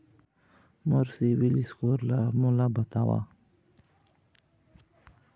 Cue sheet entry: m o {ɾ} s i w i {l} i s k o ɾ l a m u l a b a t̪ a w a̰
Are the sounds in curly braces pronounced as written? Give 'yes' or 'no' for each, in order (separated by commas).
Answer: yes, yes